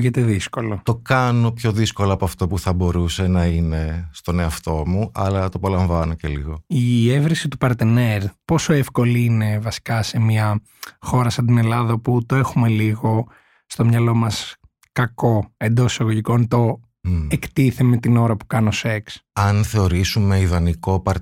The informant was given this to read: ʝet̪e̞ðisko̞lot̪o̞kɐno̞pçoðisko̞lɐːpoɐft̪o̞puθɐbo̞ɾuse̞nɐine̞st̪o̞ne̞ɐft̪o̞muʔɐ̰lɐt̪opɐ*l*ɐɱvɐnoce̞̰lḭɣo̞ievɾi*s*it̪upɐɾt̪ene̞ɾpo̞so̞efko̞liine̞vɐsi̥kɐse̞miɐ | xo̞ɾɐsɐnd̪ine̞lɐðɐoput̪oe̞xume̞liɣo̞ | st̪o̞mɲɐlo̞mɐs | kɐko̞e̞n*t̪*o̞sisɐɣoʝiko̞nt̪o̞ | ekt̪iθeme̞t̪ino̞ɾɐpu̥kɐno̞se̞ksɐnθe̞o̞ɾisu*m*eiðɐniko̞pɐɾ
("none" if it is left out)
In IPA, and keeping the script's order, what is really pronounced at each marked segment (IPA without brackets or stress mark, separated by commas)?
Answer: l, s, d̪, m